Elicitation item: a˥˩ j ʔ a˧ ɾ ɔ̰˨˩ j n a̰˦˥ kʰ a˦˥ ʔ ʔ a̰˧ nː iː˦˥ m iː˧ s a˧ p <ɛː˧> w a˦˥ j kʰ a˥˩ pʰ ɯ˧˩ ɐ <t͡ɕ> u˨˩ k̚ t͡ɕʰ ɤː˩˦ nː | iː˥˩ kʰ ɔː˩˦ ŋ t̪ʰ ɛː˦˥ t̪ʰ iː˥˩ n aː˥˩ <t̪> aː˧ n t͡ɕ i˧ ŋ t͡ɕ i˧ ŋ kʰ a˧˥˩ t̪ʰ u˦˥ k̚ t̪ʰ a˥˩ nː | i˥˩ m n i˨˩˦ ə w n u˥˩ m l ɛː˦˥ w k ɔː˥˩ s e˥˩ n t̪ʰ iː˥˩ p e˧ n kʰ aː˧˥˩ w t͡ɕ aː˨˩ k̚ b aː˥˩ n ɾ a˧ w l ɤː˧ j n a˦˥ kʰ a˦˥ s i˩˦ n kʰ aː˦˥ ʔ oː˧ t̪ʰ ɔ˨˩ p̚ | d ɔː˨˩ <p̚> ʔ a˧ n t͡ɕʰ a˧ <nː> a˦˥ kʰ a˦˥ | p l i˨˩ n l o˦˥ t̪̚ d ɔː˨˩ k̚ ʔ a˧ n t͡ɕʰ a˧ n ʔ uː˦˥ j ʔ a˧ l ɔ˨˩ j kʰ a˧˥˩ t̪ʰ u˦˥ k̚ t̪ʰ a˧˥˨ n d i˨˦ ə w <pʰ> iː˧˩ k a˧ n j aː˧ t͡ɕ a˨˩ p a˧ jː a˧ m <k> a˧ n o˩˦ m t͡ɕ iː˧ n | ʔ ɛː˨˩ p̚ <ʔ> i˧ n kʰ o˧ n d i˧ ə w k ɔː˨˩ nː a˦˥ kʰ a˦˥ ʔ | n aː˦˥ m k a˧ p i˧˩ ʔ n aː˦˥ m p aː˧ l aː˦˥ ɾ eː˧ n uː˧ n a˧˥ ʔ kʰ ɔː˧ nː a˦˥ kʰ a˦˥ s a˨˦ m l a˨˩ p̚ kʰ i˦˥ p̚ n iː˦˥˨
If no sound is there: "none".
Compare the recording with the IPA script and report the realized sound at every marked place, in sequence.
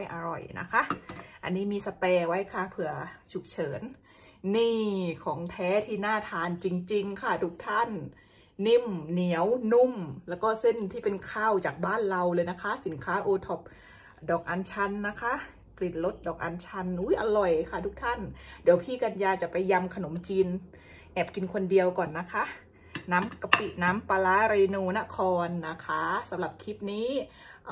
ɛː˧, t͡ɕʰ, t̪ʰ, k̚, nː, pʰ, kʰ, k

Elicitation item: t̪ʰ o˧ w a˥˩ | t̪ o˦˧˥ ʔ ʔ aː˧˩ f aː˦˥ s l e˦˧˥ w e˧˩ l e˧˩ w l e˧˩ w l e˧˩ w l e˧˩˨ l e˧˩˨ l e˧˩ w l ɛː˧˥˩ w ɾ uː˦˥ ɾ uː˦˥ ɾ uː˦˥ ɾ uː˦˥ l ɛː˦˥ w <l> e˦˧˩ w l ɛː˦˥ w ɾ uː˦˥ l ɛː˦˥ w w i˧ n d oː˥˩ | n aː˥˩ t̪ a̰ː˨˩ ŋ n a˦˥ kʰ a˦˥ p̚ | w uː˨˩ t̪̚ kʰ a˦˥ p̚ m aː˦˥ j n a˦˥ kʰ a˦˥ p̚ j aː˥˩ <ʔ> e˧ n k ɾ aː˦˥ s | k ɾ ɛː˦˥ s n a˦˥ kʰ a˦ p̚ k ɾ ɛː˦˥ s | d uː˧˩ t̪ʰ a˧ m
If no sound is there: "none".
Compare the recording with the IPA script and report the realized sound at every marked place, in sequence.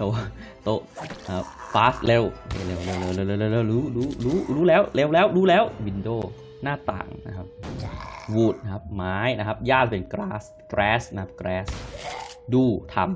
l, p

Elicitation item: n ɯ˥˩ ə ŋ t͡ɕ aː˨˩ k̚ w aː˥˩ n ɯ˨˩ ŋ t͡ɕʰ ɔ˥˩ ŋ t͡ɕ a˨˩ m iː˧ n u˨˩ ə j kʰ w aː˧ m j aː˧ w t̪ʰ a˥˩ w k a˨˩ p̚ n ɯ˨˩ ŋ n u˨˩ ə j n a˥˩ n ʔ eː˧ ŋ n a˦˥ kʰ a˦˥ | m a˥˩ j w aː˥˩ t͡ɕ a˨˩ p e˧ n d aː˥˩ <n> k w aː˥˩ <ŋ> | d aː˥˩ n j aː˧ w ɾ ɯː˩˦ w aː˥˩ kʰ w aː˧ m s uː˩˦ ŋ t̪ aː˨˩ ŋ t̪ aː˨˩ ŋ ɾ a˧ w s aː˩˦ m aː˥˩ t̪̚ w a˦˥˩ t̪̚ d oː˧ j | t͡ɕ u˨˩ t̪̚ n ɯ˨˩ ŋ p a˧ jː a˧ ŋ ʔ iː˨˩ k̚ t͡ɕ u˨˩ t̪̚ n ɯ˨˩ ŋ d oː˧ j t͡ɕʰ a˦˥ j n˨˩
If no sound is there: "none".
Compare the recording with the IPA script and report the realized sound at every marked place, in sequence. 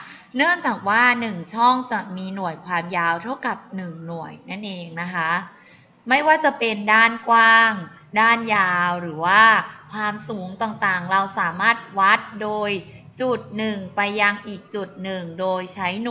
n, ŋ

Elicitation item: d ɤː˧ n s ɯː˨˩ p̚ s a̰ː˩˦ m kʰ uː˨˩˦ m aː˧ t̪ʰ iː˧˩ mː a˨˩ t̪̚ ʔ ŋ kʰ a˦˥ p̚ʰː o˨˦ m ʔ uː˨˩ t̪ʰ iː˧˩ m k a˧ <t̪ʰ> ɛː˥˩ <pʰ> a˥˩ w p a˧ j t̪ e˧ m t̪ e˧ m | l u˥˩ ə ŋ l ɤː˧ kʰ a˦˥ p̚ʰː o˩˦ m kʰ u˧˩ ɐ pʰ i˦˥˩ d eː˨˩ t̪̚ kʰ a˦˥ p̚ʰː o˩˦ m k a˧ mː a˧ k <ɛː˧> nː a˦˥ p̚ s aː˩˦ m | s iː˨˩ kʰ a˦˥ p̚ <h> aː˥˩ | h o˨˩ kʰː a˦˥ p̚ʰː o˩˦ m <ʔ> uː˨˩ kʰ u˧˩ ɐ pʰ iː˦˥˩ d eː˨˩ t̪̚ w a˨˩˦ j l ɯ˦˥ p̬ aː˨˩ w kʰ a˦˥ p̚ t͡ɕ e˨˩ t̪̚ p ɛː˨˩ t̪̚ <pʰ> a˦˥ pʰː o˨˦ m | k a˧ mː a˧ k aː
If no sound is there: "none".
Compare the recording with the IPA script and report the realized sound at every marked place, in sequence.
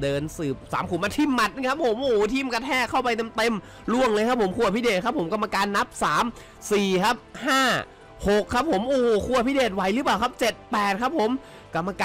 t̪ʰ, kʰ, aː˧, h, ʔ, kʰ

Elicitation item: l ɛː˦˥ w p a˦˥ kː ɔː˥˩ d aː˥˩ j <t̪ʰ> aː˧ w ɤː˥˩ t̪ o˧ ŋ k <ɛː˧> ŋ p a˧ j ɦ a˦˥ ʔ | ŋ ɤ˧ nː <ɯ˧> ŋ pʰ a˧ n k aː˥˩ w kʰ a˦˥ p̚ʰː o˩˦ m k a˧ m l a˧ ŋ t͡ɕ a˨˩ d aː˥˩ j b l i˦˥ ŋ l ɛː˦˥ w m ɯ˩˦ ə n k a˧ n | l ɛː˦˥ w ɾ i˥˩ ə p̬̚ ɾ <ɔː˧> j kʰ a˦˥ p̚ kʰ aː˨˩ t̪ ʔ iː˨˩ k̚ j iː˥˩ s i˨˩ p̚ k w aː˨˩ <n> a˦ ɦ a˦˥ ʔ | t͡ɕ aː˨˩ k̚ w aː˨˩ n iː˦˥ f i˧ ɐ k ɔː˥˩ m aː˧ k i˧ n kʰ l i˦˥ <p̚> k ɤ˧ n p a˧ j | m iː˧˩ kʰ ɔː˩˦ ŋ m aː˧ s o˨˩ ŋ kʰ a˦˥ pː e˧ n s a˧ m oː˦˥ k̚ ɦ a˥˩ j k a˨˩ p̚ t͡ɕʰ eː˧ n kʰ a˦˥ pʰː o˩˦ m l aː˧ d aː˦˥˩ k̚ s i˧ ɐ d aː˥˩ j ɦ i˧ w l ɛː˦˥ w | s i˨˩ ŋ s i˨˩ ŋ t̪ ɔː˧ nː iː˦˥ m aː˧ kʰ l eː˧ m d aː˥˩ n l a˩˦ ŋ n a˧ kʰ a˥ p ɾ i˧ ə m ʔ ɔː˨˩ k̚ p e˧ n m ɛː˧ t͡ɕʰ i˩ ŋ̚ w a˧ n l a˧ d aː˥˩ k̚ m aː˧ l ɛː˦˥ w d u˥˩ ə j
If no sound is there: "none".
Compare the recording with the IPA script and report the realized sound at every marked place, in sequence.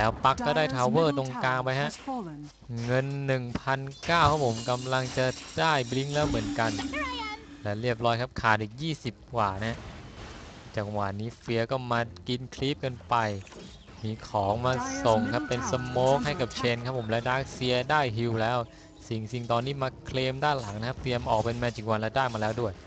t̪ʰ, aː˧, ɯ˨˩, ɔː˦˥, n, p̚

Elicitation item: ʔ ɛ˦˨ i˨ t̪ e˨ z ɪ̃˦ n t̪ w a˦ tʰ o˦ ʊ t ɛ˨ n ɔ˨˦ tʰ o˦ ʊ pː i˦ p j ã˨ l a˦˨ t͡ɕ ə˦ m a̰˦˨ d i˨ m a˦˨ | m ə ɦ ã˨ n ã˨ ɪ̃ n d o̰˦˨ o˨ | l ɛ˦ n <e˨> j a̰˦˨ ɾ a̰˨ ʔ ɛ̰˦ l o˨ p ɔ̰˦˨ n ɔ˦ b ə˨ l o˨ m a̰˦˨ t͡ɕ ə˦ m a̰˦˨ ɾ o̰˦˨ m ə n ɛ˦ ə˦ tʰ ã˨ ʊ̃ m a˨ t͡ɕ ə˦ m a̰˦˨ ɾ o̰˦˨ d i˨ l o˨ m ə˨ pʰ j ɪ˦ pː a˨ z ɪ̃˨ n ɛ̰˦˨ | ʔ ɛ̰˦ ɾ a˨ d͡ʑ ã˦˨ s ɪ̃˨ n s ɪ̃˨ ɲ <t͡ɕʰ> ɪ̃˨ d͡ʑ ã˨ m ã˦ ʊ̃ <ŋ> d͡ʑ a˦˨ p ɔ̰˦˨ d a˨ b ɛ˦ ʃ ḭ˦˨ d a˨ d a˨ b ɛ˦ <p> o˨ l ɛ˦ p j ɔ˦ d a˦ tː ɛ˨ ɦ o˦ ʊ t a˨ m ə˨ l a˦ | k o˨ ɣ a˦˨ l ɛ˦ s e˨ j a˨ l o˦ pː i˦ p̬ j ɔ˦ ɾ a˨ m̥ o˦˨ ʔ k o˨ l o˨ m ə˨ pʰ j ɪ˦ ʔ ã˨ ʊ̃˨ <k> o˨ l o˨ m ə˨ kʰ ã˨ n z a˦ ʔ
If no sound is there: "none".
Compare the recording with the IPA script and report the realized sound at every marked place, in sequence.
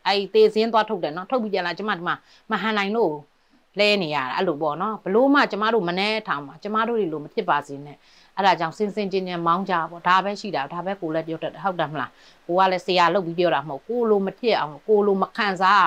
e˨, t͡ɕ, ɲ, k, k

